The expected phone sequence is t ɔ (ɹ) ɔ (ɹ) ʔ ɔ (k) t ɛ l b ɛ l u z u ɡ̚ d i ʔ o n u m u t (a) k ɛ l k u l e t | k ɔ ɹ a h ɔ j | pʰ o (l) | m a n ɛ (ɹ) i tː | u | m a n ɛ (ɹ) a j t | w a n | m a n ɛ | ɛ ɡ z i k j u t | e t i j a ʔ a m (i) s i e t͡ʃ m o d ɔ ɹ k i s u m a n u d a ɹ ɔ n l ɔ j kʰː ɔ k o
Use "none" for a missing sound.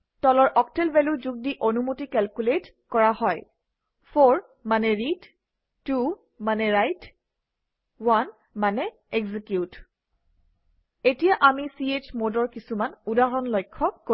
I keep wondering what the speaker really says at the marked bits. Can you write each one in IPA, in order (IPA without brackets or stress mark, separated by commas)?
l, ɹ, k, i, ɹ, ɹ, ɹ, i